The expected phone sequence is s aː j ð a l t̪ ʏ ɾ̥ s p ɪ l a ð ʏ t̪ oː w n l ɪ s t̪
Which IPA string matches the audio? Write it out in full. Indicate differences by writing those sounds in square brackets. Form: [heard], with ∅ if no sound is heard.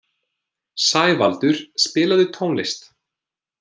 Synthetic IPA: s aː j [v] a l t̪ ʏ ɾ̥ s p [ɪː] l a ð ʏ [t̪ʰ] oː w n l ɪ s t̪